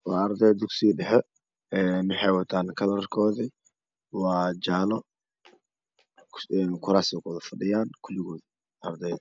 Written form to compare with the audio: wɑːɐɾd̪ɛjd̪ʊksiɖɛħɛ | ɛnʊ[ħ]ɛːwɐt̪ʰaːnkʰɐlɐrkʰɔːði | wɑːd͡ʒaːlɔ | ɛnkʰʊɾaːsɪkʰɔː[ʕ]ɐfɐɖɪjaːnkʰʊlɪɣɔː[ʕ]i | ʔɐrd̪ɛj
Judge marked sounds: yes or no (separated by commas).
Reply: yes, no, no